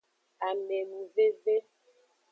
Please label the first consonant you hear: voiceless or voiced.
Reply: voiced